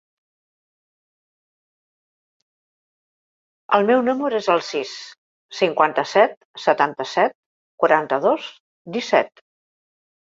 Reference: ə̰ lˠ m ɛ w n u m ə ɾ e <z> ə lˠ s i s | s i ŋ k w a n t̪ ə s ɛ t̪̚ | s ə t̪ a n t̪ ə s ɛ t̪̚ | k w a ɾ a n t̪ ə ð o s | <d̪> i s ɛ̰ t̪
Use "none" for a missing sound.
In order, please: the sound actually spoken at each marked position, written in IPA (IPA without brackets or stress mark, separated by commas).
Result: z, d̪